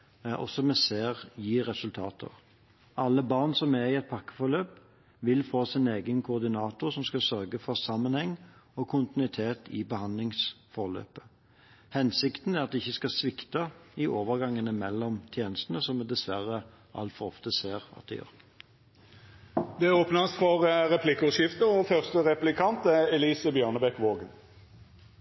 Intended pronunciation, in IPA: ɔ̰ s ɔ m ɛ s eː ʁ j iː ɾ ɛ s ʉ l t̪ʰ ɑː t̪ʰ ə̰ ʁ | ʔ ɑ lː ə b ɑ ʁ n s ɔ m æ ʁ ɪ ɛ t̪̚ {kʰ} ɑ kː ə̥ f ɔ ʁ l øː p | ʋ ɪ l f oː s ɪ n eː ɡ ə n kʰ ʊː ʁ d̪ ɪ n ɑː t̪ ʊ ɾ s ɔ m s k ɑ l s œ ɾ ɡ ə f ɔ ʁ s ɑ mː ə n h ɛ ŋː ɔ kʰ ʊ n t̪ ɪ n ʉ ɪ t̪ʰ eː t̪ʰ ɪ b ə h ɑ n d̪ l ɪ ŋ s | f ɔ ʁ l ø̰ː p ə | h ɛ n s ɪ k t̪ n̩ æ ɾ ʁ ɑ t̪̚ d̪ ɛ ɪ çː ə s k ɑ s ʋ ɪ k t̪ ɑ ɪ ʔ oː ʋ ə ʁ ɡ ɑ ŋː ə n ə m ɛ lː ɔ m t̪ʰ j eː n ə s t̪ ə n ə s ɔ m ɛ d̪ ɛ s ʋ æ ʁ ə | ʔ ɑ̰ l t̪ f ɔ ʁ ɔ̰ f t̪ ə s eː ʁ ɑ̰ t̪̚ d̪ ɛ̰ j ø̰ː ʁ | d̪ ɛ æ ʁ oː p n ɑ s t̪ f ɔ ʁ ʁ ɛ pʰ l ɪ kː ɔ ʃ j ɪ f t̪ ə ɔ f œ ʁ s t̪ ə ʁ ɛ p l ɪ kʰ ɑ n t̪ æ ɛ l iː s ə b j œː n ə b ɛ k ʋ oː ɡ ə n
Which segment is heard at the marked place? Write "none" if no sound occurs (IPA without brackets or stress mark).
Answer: pʰ